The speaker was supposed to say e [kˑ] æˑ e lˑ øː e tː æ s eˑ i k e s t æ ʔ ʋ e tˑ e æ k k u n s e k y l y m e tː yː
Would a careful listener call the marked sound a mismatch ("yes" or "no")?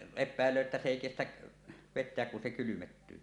yes